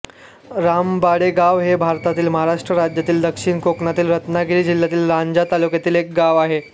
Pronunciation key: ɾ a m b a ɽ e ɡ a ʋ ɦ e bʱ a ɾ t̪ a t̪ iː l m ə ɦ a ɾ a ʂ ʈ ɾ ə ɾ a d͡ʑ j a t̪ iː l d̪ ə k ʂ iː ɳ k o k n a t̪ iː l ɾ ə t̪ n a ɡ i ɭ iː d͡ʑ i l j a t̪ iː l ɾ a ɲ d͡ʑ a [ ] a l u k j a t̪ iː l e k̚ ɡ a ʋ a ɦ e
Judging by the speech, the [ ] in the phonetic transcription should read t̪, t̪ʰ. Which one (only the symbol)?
t̪